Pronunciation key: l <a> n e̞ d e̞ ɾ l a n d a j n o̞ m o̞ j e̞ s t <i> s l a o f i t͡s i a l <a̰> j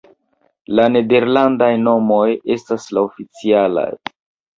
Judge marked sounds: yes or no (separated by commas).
yes, no, yes